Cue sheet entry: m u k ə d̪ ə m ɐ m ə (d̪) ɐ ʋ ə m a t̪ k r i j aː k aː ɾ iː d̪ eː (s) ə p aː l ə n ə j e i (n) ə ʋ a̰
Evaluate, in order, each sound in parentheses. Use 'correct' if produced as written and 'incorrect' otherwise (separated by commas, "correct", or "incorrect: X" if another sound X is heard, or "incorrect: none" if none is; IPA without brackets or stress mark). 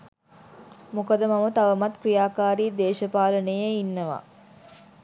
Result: incorrect: t̪, incorrect: ʃ, incorrect: nː